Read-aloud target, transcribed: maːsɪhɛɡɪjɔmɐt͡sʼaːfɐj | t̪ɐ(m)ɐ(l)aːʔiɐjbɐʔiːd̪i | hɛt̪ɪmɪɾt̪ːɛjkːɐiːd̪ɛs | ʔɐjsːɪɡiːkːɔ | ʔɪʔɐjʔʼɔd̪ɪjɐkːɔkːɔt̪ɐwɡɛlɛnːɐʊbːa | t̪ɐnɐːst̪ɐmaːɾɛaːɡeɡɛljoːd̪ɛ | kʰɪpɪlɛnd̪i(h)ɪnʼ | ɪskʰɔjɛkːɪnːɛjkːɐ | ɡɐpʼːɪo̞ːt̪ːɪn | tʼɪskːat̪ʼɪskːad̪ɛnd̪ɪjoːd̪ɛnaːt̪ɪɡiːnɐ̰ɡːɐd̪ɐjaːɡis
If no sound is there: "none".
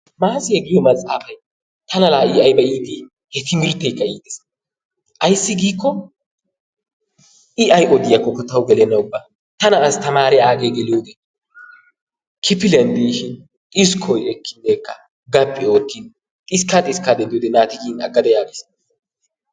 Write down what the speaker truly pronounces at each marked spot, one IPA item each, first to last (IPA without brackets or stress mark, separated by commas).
n, l, ʃ